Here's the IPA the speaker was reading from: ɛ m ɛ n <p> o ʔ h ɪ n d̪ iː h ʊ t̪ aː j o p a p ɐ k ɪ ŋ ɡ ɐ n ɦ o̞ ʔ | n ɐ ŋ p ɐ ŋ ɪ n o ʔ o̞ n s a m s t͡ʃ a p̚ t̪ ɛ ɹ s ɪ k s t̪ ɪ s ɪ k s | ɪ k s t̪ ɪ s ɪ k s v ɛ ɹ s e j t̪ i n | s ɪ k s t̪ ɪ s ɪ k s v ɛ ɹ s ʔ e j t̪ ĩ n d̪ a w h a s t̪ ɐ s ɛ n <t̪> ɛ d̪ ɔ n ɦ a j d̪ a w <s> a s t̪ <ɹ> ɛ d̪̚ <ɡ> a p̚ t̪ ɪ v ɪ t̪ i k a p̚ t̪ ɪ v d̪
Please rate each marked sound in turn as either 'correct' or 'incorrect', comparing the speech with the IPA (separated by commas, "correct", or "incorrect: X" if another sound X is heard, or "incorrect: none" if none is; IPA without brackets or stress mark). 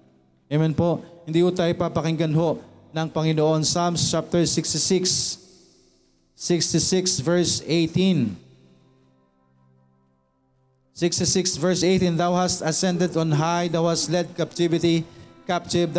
correct, incorrect: d̪, incorrect: h, incorrect: l, incorrect: k